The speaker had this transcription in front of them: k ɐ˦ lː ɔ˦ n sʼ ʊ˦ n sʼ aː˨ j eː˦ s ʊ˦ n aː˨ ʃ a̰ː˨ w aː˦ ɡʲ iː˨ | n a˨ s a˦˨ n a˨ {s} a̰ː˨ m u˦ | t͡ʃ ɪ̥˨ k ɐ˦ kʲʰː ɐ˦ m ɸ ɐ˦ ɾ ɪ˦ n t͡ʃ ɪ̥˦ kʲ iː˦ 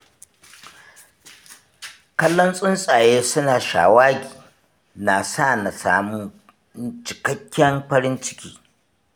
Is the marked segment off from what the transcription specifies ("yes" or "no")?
no